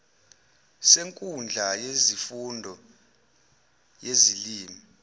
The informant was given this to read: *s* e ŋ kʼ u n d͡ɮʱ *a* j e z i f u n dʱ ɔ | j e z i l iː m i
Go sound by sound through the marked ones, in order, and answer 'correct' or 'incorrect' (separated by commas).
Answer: correct, correct